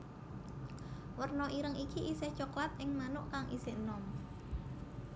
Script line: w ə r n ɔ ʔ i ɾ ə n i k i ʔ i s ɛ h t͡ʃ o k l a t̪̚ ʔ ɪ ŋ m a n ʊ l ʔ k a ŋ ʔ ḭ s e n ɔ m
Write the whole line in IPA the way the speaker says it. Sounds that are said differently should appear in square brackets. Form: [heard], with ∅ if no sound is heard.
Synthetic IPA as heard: w ə r n ɔ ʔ i ɾ ə [ŋ] i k i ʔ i s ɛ h t͡ʃ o k l a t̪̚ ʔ ɪ ŋ m a n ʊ [∅] ʔ k a ŋ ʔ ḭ s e n ɔ m